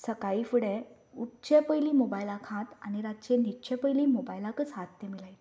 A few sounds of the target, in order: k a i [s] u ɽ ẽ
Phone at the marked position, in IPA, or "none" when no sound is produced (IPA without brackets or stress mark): f